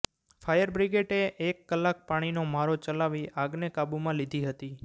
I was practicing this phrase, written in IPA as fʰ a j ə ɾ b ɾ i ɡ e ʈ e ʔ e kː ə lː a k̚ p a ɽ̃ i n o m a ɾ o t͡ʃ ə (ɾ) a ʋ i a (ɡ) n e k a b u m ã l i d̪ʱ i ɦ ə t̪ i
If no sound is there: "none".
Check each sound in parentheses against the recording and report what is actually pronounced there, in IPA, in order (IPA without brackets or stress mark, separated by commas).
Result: l, ɡ